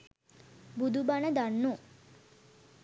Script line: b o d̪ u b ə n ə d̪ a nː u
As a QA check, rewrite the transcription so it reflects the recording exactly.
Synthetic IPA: b u d̪ u b a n ə d̪ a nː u